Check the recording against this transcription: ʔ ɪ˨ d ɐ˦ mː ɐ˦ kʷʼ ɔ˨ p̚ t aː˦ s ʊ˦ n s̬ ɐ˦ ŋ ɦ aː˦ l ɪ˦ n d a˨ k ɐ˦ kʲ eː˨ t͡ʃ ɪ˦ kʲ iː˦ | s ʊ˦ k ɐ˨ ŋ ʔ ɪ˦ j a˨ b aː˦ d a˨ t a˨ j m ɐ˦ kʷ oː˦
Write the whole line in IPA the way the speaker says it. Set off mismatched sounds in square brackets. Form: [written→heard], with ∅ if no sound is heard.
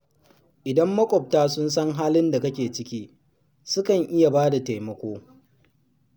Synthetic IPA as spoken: ʔ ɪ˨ d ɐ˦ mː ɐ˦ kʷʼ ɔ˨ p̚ t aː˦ s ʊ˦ n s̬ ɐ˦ ŋ ɦ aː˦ l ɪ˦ n d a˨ k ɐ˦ kʲ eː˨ t͡ʃ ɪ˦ kʲ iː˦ | s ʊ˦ k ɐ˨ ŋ ʔ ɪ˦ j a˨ b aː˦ d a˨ t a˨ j m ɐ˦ kʷ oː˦